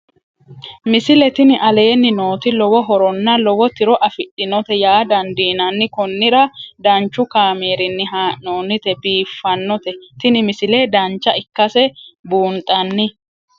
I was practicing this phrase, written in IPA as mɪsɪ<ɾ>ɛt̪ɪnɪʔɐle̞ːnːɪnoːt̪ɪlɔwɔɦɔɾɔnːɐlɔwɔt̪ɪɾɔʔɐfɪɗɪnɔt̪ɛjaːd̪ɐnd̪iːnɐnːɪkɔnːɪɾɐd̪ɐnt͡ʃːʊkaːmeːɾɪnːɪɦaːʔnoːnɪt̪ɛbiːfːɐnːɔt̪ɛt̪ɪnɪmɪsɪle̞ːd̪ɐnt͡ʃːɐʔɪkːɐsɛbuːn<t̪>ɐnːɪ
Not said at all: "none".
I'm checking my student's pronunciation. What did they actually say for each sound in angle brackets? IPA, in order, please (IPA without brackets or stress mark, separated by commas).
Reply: l, t̪ʼ